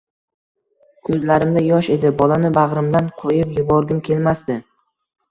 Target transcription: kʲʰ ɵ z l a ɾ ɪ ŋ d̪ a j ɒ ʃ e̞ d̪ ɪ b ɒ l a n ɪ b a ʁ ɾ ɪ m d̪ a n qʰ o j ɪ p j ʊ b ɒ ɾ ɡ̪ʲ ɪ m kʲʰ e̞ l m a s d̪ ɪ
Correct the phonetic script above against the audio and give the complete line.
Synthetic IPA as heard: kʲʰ ɵ z l a ɾ ɪ m d̪ a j ɒ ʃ e̞ d̪ ɪ b ɒ l a n ɪ b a ʁ ɾ ɪ m d̪ a n qʰ o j ɪ p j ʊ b ɒ ɾ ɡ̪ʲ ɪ m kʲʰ e̞ l m a s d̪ ɪ